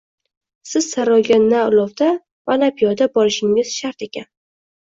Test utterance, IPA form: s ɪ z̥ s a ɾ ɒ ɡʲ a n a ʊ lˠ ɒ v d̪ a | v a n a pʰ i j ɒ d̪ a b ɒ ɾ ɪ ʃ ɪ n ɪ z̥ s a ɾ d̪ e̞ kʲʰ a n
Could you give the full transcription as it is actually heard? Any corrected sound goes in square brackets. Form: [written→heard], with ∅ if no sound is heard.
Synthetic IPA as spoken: s ɪ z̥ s a ɾ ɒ ɡʲ a n a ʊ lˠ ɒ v d̪ a | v a n a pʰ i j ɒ d̪ a b ɒ ɾ ɪ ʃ ɪ [n→ŋ] ɪ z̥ [s→ʃ] a ɾ [d̪→t̪] e̞ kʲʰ a n